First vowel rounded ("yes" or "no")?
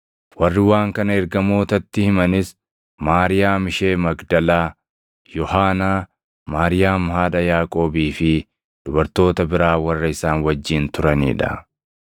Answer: no